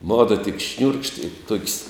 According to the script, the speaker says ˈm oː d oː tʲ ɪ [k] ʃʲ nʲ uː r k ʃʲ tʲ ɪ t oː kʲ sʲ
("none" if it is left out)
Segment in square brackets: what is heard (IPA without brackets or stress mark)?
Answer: k